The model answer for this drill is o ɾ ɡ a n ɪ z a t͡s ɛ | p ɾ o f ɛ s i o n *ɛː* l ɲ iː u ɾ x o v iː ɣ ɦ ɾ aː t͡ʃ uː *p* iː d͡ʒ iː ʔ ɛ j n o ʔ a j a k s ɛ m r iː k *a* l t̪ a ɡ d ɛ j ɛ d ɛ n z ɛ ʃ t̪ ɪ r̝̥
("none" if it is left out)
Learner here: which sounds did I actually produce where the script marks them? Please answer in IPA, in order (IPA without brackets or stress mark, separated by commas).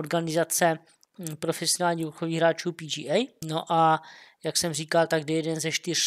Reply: aː, p, a